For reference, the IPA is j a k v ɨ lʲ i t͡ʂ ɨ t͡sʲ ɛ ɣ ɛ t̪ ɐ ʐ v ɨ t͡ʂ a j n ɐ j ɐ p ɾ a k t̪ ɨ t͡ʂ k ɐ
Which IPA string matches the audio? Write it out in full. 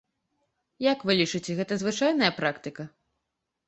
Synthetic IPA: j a k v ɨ lʲ i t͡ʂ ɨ t͡sʲ ɛ ɣ ɛ t̪ ɐ z v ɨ t͡ʂ a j n ɐ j ɐ p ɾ a k t̪ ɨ k ɐ